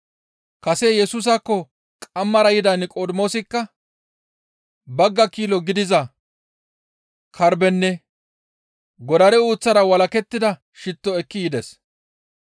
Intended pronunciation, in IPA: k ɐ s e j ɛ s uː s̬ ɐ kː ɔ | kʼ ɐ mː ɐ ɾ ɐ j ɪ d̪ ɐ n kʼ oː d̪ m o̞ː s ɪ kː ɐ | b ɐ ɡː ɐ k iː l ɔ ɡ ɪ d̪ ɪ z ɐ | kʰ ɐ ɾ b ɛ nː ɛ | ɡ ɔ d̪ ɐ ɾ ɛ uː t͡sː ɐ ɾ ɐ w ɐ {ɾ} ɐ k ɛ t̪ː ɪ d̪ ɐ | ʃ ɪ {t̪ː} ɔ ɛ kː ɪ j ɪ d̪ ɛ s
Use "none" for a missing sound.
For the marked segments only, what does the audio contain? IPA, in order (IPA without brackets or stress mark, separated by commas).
l, t̪ː